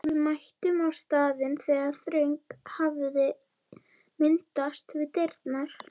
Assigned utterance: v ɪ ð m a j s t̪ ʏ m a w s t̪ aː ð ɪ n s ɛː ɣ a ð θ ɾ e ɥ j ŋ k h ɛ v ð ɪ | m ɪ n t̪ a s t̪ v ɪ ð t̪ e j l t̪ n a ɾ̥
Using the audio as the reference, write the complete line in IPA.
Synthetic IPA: v ɪ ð m a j h t̪ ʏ m a w s t̪ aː ð ɪ n θ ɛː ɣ a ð θ ɾ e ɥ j ŋ k h a v ð ɪ | m ɪ n t̪ a s t̪ v ɪ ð t̪ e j ɾ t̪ n a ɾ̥